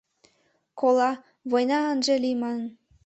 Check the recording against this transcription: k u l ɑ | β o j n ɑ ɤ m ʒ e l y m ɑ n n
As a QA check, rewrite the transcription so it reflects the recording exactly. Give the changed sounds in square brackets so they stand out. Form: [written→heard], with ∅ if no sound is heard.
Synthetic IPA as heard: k [u→o] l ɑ | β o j n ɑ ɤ [m→n] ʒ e l [y→i] m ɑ n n